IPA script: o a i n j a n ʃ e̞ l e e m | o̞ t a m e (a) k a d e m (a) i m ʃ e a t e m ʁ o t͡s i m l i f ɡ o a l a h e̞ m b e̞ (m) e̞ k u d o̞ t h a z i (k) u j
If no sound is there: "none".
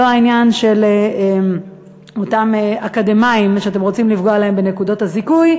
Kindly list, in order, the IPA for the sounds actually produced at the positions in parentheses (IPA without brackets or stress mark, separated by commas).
a, a, n, k